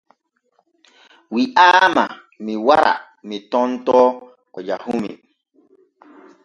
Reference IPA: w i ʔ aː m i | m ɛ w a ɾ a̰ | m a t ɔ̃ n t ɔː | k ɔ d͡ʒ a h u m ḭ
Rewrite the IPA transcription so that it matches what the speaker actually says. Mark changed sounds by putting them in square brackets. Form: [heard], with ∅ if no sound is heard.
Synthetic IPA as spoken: w i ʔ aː m [a] | m [i] w a ɾ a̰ | m [i] t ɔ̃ n t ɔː | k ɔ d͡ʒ a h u m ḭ

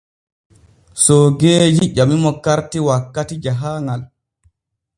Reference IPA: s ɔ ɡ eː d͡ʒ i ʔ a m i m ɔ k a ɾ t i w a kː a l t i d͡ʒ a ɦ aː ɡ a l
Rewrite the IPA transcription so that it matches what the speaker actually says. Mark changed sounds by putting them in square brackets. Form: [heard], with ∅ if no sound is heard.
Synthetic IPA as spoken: s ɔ ɡ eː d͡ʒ i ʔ a m i m ɔ k a ɾ t i w a kː a [∅] t i d͡ʒ a ɦ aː [ŋ] a l

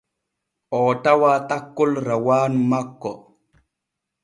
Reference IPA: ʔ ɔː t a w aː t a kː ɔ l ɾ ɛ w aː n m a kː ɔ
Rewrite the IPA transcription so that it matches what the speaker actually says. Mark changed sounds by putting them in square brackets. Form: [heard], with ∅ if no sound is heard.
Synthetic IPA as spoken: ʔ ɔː t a w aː t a kː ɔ l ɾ [a] w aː n m a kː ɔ

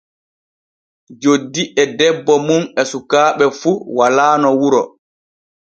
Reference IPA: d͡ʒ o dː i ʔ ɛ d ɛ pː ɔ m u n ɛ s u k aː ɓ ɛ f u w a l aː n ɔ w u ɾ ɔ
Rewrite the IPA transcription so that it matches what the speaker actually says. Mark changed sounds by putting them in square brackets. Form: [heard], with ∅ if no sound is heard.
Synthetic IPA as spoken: d͡ʒ o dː i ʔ ɛ d ɛ [bː] ɔ m u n ɛ s u k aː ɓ ɛ f u w a l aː n ɔ w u ɾ ɔ

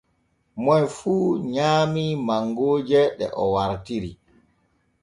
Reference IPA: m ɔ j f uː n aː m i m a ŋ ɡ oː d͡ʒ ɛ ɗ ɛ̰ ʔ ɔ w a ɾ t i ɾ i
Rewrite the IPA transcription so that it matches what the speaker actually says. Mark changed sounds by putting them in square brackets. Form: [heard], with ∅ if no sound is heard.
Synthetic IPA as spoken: m ɔ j f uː [ɲ] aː m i m a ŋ ɡ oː d͡ʒ ɛ ɗ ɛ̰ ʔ ɔ w a ɾ t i ɾ i

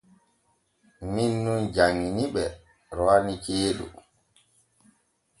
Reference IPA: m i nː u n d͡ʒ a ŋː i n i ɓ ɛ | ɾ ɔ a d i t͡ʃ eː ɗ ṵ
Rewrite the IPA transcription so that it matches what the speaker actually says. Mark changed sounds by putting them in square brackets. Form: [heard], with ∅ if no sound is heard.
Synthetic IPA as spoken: m i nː u n d͡ʒ a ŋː i n i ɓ ɛ | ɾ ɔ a [n] i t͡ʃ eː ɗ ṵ

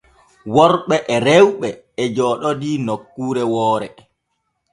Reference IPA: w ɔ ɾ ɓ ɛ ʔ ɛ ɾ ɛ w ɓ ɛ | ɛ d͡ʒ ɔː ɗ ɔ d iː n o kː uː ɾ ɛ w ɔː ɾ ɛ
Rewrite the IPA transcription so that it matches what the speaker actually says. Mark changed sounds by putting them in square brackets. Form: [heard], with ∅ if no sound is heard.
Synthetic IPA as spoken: w ɔ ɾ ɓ ɛ ʔ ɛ ɾ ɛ w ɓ ɛ | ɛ d͡ʒ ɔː ɗ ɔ d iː n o kː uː ɾ ɛ w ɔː ɾ ɛ

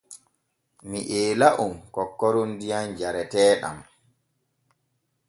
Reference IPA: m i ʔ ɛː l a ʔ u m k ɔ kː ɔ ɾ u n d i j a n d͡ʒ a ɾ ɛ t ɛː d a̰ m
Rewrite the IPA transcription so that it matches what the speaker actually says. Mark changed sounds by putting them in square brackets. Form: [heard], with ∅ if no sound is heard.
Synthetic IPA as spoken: m i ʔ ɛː l a ʔ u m k ɔ kː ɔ ɾ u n d i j a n d͡ʒ a ɾ ɛ t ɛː [ɗ] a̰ m

